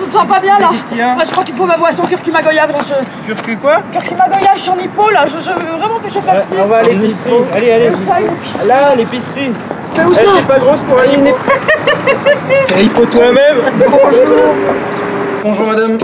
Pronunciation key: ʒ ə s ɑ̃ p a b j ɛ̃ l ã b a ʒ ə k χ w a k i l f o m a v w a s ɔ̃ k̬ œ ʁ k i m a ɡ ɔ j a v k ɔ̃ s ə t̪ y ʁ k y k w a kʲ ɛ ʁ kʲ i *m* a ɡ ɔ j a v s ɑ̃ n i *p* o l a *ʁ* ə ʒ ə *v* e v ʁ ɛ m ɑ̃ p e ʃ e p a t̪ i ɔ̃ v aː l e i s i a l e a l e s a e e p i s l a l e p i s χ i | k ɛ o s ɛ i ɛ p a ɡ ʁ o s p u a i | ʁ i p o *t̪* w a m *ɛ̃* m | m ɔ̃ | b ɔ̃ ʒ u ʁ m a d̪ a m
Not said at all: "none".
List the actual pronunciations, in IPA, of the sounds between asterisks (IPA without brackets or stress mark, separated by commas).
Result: m, p, ʒ, v, t̪, ɛ